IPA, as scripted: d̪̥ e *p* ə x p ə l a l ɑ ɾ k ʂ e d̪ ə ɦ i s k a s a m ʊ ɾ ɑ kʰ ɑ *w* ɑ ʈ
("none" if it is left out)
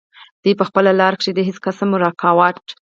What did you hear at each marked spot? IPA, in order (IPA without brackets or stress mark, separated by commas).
p, w